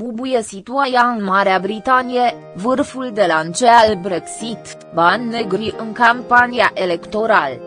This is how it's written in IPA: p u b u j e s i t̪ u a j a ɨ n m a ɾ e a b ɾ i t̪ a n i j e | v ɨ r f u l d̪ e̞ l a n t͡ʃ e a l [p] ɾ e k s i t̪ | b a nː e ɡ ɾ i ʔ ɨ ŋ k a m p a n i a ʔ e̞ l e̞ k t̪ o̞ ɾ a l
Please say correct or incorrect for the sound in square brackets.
incorrect: b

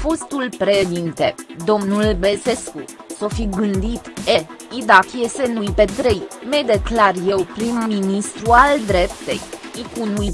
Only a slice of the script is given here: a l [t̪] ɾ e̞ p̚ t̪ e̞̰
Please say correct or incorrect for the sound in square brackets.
incorrect: d̪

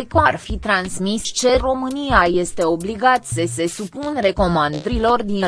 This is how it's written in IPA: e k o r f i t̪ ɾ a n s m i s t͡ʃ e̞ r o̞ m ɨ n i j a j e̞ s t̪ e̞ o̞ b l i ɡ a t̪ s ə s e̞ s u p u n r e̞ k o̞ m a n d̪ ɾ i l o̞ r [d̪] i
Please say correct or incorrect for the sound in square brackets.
correct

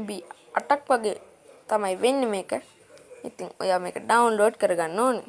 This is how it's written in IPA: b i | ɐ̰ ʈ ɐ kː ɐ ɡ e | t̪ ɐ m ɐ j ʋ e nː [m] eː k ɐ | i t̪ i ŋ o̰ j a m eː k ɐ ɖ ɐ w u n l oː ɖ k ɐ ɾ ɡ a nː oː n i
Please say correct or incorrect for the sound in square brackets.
correct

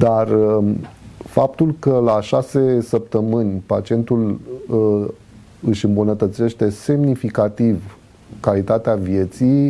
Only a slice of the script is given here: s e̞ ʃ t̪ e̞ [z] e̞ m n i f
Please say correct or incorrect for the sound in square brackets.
incorrect: s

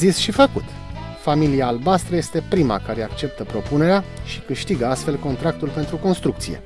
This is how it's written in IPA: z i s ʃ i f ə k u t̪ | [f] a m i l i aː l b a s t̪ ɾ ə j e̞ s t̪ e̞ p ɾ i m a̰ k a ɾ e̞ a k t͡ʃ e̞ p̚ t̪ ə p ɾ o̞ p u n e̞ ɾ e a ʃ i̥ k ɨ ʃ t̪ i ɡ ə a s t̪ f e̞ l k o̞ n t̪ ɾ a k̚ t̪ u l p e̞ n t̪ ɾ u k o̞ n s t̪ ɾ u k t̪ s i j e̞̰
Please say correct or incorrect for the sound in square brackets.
correct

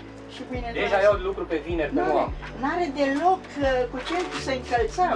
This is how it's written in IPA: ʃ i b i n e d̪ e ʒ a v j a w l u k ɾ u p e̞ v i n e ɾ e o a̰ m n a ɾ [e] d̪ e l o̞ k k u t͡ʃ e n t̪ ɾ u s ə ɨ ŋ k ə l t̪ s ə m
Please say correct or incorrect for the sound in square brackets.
correct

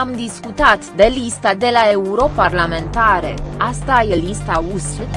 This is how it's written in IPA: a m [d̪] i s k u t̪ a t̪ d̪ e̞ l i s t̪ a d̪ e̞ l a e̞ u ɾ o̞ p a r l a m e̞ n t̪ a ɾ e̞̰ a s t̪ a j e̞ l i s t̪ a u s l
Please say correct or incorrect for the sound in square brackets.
correct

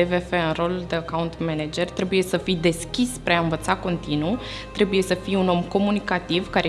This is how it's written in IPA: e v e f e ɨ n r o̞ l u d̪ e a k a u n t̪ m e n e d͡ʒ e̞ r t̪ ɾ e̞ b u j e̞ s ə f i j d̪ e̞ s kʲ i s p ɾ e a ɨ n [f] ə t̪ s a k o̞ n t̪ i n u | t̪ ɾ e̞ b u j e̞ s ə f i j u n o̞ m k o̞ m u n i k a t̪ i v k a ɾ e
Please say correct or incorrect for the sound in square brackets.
incorrect: v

